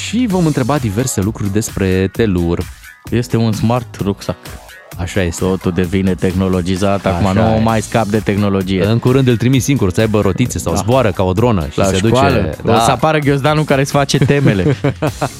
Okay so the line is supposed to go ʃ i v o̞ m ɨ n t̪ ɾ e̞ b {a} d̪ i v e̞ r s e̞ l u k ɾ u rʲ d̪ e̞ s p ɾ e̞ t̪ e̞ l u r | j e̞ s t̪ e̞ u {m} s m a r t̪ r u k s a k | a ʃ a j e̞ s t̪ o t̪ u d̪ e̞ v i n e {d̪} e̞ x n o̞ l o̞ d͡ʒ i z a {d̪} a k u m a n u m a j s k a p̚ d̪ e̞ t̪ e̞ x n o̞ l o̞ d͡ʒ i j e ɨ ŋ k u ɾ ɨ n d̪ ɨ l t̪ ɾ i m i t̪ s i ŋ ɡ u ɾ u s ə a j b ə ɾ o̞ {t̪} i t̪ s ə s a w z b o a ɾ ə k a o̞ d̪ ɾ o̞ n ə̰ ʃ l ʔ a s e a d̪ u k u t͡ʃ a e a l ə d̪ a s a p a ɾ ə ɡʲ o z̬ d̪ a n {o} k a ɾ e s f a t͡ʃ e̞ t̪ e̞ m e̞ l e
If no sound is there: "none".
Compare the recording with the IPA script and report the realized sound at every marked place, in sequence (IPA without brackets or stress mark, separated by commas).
a, n, t̪, t̪, t̪, u